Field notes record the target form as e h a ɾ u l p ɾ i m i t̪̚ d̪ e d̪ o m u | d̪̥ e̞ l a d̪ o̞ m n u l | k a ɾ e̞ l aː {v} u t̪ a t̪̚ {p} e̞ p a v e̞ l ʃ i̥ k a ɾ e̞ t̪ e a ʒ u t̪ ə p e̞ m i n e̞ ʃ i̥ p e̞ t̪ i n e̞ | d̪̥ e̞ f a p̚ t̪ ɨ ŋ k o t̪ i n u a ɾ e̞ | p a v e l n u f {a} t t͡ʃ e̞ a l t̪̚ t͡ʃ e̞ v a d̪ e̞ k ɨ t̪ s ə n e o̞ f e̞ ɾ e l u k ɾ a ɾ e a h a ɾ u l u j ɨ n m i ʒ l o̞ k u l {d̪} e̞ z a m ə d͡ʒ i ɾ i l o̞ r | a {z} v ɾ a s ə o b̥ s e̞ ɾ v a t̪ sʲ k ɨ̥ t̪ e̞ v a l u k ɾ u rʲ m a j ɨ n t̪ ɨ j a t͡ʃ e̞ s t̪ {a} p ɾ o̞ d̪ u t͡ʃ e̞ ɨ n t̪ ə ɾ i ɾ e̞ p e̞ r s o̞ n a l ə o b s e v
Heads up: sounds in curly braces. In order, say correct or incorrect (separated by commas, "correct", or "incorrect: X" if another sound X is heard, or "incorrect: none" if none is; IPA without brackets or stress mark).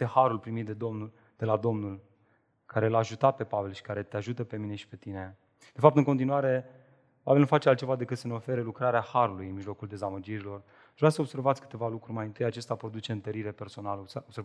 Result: incorrect: ʒ, correct, correct, correct, incorrect: ʒ, correct